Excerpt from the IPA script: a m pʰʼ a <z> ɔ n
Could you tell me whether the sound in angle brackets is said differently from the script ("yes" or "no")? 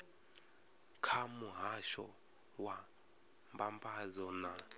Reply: no